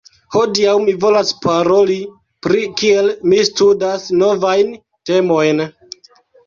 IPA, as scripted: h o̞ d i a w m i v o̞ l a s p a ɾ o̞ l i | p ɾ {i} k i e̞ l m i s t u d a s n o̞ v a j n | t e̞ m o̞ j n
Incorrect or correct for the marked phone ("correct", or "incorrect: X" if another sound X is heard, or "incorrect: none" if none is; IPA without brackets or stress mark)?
correct